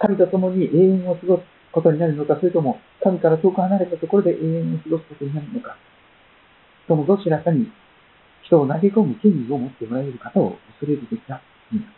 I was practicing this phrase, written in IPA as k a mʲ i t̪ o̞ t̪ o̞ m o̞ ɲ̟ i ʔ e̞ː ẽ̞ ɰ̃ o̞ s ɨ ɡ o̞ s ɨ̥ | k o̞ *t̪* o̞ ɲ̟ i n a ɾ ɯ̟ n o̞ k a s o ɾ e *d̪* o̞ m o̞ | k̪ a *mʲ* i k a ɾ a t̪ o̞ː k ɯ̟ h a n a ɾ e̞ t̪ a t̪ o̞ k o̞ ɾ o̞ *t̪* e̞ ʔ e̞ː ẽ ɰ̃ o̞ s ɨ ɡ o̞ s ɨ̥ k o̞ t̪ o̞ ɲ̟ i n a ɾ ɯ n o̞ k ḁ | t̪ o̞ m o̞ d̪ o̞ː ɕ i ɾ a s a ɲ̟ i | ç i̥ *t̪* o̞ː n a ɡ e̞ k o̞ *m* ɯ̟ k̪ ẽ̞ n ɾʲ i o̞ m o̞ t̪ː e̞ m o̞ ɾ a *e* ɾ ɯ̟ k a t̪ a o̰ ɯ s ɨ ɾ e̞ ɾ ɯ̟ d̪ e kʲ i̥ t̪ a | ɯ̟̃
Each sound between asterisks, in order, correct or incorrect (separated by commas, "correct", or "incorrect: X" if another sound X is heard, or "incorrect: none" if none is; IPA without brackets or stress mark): correct, incorrect: t̪, correct, incorrect: d̪, correct, correct, correct